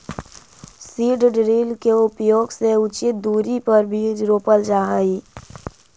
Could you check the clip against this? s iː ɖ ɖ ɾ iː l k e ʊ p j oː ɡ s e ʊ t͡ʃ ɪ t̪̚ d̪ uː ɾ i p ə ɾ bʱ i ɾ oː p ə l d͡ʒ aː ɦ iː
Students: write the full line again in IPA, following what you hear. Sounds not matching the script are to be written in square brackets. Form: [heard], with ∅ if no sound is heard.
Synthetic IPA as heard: s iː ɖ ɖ ɾ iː l k e ʊ p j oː ɡ s e ʊ t͡ʃ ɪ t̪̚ d̪ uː ɾ i p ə ɾ bʱ i ɾ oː p ə l d͡ʒ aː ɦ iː

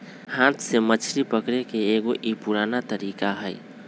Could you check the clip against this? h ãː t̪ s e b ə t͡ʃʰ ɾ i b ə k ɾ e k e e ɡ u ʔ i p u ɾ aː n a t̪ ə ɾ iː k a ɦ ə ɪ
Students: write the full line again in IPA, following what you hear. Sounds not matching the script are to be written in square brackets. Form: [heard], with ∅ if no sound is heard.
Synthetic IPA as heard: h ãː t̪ s e [m] ə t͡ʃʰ ɾ i [p] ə k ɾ e k e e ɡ [o] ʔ i p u ɾ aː n a t̪ ə ɾ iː k a ɦ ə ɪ

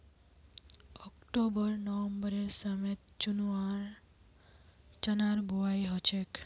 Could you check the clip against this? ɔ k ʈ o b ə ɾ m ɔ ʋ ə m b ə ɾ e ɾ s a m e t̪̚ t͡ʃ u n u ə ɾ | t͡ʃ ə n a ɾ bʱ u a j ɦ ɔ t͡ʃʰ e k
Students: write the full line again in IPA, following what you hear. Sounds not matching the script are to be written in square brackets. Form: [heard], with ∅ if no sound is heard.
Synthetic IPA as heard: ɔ k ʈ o b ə ɾ [n] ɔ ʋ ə m b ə ɾ e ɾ s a m e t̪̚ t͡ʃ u n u [a] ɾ | t͡ʃ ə n a ɾ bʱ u a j ɦ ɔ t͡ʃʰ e k

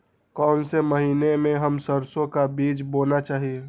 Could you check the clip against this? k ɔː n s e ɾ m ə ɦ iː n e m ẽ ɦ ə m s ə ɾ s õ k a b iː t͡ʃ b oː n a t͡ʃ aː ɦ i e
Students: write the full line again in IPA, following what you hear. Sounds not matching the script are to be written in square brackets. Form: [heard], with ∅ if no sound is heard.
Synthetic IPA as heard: k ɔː n s e [∅] m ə ɦ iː n e m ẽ ɦ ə m s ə ɾ s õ k a b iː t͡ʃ b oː n a t͡ʃ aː ɦ i e

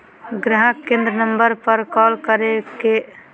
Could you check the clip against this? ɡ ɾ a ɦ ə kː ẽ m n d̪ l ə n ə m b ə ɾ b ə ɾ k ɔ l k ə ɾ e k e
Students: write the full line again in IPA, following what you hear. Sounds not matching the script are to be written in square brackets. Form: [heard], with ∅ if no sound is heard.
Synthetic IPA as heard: ɡ ɾ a ɦ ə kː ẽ [∅] n d̪ [ɾ] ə n ə m b ə ɾ [p] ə ɾ k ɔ l k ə ɾ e k e

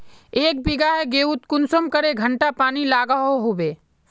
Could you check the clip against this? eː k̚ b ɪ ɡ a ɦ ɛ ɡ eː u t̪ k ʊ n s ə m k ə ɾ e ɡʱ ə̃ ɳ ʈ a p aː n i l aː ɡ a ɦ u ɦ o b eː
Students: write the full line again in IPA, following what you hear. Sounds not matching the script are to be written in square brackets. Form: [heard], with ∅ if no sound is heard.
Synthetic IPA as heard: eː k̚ b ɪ ɡ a ɦ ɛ ɡ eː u t̪ k ʊ n s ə m k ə ɾ e ɡʱ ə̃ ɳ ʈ a p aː n i l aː ɡ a ɦ [o] ɦ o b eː

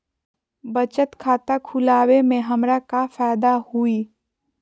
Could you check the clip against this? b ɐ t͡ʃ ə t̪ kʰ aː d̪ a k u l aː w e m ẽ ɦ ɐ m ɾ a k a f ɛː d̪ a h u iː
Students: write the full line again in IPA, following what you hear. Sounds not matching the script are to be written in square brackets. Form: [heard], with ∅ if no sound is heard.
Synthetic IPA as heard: b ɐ t͡ʃ ə t̪ kʰ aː [t̪] a [kʰ] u l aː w e m ẽ ɦ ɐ m ɾ a k a f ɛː d̪ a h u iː

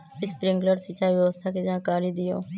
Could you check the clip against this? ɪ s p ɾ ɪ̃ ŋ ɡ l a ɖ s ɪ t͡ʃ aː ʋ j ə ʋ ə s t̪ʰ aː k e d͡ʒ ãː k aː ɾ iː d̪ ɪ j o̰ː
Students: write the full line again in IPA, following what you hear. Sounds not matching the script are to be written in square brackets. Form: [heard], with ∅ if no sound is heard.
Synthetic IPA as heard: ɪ s p ɾ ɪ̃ ŋ ɡ l [ə] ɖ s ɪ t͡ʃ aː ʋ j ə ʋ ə s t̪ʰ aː k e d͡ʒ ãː k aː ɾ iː d̪ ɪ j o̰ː

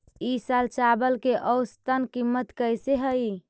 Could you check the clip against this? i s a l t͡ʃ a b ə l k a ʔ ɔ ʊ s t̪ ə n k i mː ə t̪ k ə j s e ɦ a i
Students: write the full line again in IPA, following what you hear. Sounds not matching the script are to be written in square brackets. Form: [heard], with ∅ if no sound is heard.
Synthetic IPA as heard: i s a l t͡ʃ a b ə l k [e] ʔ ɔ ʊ s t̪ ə n k i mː ə t̪ k ə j s e ɦ [ə] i

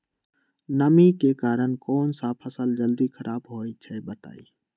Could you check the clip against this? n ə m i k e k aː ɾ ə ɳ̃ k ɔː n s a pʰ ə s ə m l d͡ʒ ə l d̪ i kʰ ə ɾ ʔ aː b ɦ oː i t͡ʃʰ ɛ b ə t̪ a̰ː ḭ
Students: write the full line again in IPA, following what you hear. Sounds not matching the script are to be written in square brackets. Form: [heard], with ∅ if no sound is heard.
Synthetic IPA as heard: n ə m i k e k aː ɾ ə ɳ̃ k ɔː n s a pʰ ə s ə [∅] l d͡ʒ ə l d̪ i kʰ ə ɾ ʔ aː b ɦ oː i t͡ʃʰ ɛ b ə t̪ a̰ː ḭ

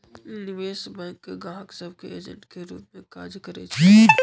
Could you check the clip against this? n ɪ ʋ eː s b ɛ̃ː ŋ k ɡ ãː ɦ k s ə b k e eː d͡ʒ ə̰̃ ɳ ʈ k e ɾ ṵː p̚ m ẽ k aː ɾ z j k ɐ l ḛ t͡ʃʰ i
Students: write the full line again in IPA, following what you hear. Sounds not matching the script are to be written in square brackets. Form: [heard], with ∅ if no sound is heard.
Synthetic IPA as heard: n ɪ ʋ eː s b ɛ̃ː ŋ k ɡ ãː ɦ k s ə b k e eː d͡ʒ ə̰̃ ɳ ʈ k e ɾ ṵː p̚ m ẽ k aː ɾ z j k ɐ [ɾ] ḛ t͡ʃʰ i

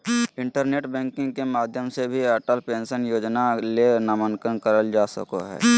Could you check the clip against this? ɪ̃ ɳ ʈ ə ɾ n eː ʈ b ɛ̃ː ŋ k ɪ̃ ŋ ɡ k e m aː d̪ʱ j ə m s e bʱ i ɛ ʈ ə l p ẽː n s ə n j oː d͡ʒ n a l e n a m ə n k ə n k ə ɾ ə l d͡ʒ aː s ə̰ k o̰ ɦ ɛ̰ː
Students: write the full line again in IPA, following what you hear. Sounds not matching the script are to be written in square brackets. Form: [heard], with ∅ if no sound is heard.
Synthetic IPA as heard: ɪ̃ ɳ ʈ ə ɾ n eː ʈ b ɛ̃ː ŋ k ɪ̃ ŋ ɡ k e m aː d̪ʱ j ə m s e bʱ i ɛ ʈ ə l p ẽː n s ə n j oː d͡ʒ n a l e n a m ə n k ə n k ə ɾ ə l d͡ʒ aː s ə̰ k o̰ ɦ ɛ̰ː

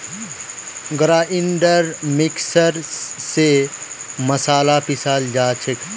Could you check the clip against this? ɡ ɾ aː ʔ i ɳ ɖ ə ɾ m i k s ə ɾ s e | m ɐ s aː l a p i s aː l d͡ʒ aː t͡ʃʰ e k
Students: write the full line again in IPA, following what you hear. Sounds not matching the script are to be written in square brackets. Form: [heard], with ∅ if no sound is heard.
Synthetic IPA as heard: ɡ ɾ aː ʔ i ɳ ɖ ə ɾ m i k s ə ɾ s e | m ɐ s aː l a p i s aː l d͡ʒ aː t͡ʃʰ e k

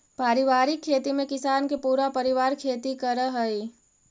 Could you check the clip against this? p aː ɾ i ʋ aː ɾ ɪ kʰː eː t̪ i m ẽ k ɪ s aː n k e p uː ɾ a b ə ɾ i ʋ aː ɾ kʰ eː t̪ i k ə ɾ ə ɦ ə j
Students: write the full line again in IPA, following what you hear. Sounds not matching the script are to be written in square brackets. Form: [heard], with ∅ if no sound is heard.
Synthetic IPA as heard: p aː ɾ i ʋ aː ɾ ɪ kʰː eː t̪ i m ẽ k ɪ s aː n k e p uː ɾ a [p] ə ɾ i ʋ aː ɾ kʰ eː t̪ i k ə ɾ ə ɦ ə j

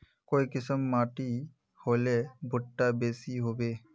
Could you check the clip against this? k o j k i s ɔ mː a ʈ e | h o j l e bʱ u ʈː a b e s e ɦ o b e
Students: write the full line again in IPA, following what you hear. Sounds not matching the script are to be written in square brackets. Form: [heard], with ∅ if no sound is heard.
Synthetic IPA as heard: k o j k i s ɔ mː a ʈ [i] | h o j l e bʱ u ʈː a b e s [i] ɦ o b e

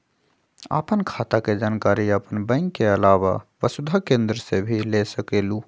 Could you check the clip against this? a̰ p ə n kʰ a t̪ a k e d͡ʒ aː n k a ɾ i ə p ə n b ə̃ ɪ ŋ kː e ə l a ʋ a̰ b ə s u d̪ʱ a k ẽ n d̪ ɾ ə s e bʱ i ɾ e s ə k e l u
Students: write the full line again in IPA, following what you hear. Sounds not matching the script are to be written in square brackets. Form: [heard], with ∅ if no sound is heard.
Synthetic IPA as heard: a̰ p ə n kʰ a t̪ a k e d͡ʒ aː n k a ɾ i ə p ə n b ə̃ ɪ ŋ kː e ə l a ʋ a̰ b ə s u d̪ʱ a k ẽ n d̪ ɾ ə s e bʱ i [l] e s ə k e l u

